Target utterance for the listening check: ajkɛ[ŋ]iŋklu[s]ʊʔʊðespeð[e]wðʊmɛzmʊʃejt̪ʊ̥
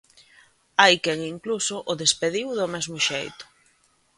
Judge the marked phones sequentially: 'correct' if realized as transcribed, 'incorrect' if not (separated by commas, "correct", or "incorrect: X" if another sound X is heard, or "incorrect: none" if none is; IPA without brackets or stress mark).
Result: correct, correct, incorrect: i